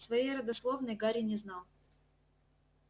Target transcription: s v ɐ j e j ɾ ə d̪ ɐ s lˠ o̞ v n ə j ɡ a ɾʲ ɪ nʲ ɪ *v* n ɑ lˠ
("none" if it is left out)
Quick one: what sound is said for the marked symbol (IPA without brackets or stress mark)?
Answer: z